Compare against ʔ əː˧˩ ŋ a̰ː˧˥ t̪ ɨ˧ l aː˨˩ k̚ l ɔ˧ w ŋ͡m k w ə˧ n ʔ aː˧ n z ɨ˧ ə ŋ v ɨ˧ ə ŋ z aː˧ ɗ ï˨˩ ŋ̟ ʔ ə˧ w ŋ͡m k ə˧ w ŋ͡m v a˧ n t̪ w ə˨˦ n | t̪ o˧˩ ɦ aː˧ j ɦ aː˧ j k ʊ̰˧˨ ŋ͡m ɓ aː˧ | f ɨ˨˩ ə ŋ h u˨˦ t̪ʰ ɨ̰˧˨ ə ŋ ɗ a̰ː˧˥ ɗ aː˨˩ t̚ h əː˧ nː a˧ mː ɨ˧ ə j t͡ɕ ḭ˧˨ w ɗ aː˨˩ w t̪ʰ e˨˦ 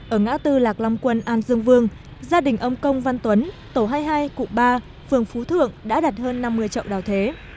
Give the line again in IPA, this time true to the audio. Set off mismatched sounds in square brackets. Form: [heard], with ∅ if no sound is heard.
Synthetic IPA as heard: ʔ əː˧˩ ŋ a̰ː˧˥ t̪ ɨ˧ l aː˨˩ k̚ l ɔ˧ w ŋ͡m k w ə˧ n ʔ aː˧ n z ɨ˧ ə ŋ v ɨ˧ ə ŋ z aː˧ ɗ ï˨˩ ŋ̟ ʔ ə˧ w ŋ͡m k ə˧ w ŋ͡m v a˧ n t̪ w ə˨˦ n | t̪ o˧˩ ɦ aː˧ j ɦ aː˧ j k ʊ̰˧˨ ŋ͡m ɓ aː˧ | f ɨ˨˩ ə ŋ [f] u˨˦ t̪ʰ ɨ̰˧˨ ə ŋ ɗ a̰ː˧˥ ɗ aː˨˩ t̚ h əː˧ nː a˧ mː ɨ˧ ə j t͡ɕ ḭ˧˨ w ɗ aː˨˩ w t̪ʰ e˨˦

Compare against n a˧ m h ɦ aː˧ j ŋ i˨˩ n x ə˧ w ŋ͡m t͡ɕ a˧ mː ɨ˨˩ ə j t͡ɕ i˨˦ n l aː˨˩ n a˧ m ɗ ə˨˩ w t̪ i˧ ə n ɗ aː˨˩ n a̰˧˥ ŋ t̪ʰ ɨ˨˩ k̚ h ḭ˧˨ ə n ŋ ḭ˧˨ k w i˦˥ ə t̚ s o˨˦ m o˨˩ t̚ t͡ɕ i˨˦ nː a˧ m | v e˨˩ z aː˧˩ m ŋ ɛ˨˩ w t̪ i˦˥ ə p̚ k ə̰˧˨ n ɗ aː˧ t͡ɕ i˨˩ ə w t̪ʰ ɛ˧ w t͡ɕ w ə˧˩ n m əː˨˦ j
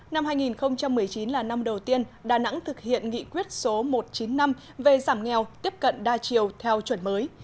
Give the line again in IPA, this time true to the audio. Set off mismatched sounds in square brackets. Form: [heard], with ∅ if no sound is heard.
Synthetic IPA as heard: n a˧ m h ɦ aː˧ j ŋ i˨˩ n x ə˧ w ŋ͡m t͡ɕ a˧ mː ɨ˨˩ ə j t͡ɕ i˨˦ n l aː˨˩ n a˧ m ɗ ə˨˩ w t̪ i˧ ə n ɗ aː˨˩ n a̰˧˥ ŋ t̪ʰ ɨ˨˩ k̚ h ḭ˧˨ ə n ŋ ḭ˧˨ k w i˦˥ ə t̚ s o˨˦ m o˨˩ t̚ t͡ɕ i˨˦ nː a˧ m | v e˨˩ z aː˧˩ m ŋ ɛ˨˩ w t̪ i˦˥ ə p̚ k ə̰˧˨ n ɗ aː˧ t͡ɕ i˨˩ ə w t̪ʰ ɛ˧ w t͡ɕ w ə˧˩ n m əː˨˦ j

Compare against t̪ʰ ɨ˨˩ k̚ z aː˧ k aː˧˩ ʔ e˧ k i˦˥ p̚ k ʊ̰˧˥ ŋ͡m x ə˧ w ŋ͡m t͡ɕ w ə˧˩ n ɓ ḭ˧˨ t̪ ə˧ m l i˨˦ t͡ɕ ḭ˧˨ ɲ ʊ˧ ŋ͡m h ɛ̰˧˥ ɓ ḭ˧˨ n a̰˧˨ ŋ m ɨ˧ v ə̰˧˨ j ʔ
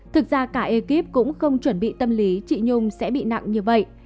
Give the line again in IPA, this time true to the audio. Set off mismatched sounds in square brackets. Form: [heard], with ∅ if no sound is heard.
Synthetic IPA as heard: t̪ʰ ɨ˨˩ k̚ z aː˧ k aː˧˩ ʔ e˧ k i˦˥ p̚ k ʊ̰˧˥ ŋ͡m x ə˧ w ŋ͡m t͡ɕ w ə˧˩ n ɓ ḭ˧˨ t̪ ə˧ m l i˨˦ t͡ɕ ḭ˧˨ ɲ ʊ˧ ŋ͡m [s] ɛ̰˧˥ ɓ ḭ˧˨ n a̰˧˨ ŋ [ɲ] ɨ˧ v ə̰˧˨ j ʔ

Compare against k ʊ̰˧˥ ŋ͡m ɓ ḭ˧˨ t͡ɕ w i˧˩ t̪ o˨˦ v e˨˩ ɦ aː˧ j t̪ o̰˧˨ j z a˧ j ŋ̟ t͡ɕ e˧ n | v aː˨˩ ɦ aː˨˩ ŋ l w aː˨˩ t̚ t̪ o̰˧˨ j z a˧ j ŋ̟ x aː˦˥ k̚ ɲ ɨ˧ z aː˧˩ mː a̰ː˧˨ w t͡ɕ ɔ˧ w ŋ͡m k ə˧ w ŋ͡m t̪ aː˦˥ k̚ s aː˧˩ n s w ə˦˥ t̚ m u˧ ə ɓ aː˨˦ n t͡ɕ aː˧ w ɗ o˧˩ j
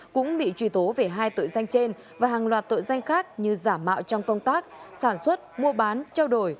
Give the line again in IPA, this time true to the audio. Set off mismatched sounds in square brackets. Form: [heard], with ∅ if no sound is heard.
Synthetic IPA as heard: k ʊ̰˧˥ ŋ͡m ɓ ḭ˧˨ t͡ɕ w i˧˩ t̪ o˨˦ v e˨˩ ɦ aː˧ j t̪ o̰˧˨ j z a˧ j ŋ̟ t͡ɕ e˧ n | v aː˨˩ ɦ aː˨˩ ŋ l w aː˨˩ t̚ t̪ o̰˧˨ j z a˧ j ŋ̟ x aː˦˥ k̚ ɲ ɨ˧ z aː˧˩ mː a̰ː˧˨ w t͡ɕ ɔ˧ w ŋ͡m k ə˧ w ŋ͡m t̪ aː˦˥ k̚ s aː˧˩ n s w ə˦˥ t̚ m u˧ ə ɓ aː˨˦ n t͡ɕ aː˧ w ɗ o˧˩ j

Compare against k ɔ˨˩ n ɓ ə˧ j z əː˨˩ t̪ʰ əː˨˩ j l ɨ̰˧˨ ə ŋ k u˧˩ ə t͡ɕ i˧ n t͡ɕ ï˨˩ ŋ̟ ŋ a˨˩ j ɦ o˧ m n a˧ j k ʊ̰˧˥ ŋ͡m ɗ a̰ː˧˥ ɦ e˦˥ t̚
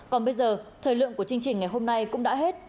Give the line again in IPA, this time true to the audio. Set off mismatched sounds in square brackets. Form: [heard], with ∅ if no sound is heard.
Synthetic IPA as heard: k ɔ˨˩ n ɓ ə˧ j z əː˨˩ t̪ʰ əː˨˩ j l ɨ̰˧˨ ə ŋ k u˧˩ ə t͡ɕ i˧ [ŋ] t͡ɕ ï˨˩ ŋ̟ ŋ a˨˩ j ɦ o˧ m n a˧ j k ʊ̰˧˥ ŋ͡m ɗ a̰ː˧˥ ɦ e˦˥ t̚

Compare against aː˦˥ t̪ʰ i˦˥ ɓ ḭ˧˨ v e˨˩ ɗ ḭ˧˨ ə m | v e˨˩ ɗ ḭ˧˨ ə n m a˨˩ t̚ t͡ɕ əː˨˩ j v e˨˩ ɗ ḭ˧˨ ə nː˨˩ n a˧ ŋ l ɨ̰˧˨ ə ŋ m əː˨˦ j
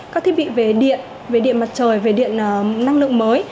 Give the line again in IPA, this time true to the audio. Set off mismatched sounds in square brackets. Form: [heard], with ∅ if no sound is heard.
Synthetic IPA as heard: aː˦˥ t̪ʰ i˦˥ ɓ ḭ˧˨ v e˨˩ ɗ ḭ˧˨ ə [n] | v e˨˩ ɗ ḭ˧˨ ə n m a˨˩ t̚ t͡ɕ əː˨˩ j v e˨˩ ɗ ḭ˧˨ ə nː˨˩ n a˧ ŋ l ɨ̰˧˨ ə ŋ m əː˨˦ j

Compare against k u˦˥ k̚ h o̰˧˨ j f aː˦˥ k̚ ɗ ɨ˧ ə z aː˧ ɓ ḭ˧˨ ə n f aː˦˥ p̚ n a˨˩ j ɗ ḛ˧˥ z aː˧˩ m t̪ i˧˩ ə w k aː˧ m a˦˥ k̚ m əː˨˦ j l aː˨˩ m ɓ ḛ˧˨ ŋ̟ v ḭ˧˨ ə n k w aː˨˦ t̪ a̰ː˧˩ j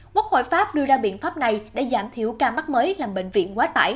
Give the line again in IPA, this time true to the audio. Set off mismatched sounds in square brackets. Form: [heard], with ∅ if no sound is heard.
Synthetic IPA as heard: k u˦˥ k̚ h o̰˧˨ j f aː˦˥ [p̚] ɗ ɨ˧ ə z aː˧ ɓ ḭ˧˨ ə n f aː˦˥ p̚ n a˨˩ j ɗ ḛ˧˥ z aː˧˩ m [t̪ʰ] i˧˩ ə w k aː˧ m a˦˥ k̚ m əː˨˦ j l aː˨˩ m ɓ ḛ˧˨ ŋ̟ v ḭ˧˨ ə n k w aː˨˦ t̪ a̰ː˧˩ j

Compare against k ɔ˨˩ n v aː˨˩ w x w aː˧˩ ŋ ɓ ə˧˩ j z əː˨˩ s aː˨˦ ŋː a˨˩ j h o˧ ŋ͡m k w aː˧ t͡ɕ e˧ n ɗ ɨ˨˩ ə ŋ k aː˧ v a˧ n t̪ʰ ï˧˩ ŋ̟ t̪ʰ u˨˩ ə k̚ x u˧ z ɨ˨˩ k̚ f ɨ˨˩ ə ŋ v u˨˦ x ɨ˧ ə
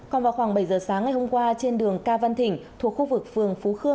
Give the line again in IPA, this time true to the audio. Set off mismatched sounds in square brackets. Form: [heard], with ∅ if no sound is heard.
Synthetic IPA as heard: k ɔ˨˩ n v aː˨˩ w x w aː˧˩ ŋ ɓ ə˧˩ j z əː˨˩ s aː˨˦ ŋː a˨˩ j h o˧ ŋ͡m k w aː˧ t͡ɕ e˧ n ɗ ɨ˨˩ ə ŋ k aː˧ v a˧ n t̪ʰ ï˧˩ ŋ̟ t̪ʰ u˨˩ ə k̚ x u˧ [v] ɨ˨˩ k̚ f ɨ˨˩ ə ŋ [f] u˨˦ x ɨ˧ ə

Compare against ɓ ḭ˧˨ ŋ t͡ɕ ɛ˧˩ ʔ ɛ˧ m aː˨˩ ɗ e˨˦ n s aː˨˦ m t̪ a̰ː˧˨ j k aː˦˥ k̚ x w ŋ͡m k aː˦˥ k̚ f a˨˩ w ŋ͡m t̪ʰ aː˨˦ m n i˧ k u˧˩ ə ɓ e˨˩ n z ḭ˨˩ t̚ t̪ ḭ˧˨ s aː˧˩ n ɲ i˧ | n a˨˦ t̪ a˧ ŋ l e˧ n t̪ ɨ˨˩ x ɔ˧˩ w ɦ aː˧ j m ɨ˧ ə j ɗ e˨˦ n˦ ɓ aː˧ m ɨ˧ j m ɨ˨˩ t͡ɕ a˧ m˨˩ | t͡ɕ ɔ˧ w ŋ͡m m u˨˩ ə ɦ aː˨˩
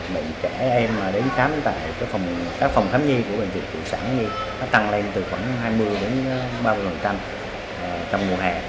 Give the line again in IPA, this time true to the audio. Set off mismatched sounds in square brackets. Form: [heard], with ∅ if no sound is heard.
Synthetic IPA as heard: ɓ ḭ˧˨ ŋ t͡ɕ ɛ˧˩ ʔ ɛ˧ m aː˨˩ ɗ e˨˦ n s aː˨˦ m t̪ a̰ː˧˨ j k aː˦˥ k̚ [f] w ŋ͡m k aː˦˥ k̚ f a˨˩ w ŋ͡m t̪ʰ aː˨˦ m [ɲ] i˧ k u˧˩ ə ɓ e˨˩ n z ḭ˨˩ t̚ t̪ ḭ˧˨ s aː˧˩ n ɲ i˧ | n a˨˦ t̪ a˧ ŋ l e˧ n t̪ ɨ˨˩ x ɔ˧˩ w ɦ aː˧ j m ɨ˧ ə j ɗ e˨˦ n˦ ɓ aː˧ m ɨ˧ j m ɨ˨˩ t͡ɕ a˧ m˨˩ | t͡ɕ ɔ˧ w ŋ͡m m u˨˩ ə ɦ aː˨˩

